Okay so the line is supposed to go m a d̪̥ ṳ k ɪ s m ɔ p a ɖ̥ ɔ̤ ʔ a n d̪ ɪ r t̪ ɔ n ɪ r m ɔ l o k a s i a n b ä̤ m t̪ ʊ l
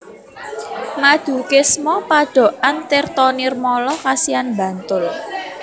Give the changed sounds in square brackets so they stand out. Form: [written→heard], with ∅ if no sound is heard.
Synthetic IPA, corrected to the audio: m a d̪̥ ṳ k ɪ s m ɔ p a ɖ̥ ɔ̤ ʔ a n [d̪→t̪] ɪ r t̪ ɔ n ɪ r m ɔ l [o→ɔ] k a s i a n b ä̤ [m→n] t̪ ʊ l